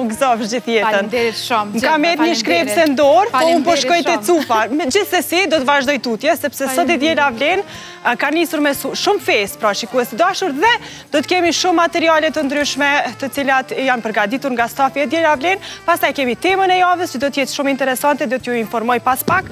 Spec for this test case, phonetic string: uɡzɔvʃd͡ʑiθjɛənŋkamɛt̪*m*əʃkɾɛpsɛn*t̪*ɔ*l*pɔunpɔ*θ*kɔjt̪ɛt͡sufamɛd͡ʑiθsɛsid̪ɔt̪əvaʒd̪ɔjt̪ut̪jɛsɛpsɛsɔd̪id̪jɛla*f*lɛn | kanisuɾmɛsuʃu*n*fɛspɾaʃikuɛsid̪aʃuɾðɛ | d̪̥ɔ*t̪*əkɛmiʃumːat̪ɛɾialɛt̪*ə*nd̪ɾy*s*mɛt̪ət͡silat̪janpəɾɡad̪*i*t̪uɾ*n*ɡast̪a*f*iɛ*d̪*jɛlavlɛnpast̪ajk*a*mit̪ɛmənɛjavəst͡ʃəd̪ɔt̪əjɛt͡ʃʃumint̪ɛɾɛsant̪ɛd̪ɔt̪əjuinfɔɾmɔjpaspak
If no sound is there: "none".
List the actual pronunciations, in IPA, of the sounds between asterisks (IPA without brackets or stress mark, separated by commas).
ɲ, d̪, ɾ, ʃ, v, m, t̪, ə, ʃ, i, ŋ, f, d̪, ɛ